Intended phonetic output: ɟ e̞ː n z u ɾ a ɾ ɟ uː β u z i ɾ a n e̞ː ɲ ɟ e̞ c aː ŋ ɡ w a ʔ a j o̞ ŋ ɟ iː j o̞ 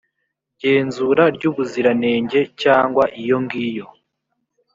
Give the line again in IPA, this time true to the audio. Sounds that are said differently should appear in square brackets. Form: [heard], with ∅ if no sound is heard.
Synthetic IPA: ɟ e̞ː n z u ɾ a ɾ ɟ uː β u z i ɾ a n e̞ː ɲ ɟ e̞ c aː ŋ ɡ w a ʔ [i] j o̞ ŋ [ɡ] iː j o̞